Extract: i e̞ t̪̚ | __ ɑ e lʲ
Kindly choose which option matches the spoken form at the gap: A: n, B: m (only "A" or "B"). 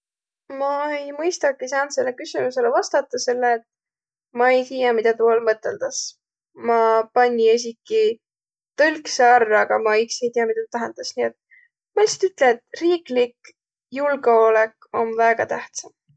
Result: B